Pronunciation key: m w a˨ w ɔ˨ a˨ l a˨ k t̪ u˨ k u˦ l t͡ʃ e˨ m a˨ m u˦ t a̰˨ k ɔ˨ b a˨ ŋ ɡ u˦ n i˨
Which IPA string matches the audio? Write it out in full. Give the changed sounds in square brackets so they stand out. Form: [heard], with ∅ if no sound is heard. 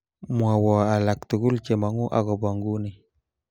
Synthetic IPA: m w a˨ w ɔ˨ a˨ l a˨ k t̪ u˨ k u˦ l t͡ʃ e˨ m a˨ [ŋ] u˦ [ʔ] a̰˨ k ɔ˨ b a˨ ŋ ɡ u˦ n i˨